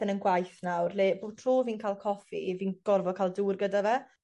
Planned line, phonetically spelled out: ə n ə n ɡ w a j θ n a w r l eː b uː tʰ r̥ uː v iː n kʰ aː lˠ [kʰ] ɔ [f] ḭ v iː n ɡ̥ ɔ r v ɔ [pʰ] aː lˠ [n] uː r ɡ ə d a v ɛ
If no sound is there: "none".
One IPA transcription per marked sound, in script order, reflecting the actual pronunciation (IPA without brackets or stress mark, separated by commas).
kʰ, f, kʰ, d